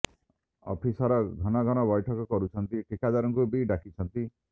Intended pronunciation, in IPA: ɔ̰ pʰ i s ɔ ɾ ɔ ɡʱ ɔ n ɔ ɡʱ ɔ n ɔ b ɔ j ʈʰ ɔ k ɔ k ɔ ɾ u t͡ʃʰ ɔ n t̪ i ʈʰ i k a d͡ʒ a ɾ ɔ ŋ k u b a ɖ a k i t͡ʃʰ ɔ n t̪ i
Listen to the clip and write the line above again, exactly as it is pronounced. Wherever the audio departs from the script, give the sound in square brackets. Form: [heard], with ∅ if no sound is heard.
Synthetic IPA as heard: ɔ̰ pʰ i s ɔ ɾ ɔ ɡʱ ɔ n ɔ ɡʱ ɔ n ɔ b ɔ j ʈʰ ɔ k ɔ k ɔ ɾ u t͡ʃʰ ɔ n t̪ i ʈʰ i k a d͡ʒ a ɾ ɔ ŋ k u b [i] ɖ a k i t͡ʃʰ ɔ n t̪ i